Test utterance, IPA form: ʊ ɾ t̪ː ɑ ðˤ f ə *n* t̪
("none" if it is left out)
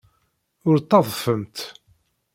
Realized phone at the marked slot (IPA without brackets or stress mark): m